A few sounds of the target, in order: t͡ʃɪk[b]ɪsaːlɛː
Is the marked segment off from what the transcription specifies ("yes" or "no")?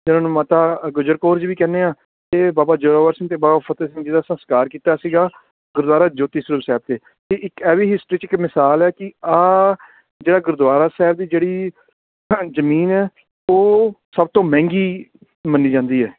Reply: yes